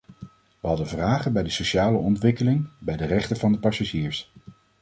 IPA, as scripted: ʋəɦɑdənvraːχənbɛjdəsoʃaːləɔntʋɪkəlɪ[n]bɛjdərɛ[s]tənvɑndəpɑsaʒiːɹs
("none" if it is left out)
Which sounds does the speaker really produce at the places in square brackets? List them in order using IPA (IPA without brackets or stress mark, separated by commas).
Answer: ŋ, χ